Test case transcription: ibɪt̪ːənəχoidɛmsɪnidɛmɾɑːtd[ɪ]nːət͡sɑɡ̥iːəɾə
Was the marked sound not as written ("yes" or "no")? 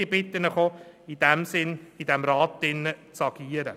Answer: no